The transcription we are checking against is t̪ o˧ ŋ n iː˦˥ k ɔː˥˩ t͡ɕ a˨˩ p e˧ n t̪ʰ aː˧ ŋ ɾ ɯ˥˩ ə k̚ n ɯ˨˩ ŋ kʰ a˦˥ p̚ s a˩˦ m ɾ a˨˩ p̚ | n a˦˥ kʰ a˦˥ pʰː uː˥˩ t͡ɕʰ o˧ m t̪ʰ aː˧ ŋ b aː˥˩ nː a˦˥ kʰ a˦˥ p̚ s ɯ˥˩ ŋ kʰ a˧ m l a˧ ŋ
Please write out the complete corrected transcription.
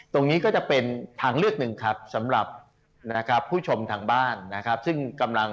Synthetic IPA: t̪ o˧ ŋ n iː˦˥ k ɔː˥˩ t͡ɕ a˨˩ p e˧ n t̪ʰ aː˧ ŋ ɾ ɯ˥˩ ə k̚ n ɯ˨˩ ŋ kʰ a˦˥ p̚ s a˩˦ m ɾ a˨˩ p̚ | n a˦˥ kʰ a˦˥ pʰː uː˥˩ t͡ɕʰ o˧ m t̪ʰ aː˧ ŋ b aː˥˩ nː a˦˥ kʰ a˦˥ p̚ s ɯ˥˩ ŋ k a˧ m l a˧ ŋ